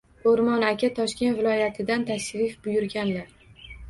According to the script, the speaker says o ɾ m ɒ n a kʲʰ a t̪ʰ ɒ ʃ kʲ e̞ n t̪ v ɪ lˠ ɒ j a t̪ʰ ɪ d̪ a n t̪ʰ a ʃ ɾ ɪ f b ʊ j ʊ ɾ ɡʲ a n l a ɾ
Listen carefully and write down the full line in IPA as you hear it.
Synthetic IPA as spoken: o ɾ m ɒ n a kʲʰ a t̪ʰ ɒ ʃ kʲ e̞ n t̪ v ɪ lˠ ɒ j a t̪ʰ ɪ d̪ a n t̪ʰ a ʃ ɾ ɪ f b ʊ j ʊ ɾ ɡʲ a n l a ɾ